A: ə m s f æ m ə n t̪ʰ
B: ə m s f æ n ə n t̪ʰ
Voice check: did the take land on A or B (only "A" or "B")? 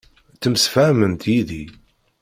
A